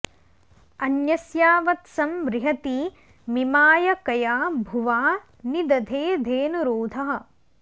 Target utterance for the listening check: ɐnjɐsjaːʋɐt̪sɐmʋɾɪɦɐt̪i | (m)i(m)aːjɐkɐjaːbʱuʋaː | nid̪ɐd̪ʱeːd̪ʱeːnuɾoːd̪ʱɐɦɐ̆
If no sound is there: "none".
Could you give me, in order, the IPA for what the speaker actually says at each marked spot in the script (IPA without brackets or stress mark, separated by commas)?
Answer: m, m